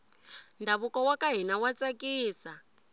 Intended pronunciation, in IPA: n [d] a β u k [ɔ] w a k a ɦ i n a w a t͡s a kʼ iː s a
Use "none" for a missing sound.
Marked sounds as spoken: d, ɔ

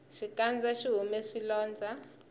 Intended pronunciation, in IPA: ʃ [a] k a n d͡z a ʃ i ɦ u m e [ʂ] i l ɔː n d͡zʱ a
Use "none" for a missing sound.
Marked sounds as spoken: i, ʂ

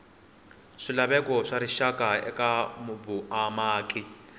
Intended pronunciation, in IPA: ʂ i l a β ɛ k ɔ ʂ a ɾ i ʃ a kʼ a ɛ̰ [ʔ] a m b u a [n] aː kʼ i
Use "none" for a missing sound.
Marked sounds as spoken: k, m

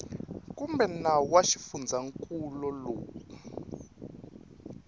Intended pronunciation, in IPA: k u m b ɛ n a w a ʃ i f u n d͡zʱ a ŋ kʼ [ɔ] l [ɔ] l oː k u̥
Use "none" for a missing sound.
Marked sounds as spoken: u, ɔ

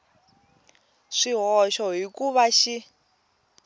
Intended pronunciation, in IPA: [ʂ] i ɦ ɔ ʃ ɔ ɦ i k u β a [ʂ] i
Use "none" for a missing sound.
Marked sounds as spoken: ʂ, ʃ

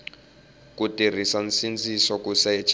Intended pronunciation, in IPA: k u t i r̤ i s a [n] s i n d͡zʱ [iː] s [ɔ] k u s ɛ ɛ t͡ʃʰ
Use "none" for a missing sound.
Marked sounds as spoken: n, i, ɔ

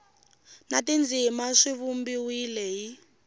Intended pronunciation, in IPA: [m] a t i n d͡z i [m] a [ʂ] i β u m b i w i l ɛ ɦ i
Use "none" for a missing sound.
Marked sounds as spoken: n, m, ʂ

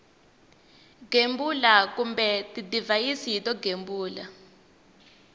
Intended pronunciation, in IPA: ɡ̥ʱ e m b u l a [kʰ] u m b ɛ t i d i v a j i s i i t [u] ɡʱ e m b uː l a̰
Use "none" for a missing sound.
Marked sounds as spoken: k, ɔ

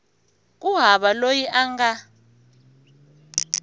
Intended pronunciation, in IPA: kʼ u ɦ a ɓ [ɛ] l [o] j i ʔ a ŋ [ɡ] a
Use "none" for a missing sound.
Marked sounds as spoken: a, o, ɡ

